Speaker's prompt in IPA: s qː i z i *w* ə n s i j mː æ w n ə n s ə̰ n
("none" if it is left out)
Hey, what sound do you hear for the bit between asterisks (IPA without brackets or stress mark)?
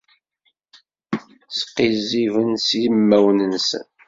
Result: v